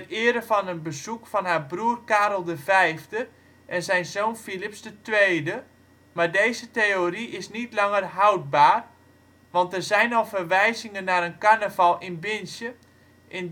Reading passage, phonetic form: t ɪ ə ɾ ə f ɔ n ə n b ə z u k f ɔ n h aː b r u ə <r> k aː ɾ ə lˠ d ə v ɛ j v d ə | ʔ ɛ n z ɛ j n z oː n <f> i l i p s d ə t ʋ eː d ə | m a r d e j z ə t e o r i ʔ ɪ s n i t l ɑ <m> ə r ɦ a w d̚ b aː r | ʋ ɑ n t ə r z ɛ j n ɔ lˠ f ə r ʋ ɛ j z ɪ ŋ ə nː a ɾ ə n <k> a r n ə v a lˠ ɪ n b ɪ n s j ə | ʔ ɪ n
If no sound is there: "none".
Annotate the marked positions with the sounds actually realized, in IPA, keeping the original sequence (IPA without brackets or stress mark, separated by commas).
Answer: r, f, ŋ, k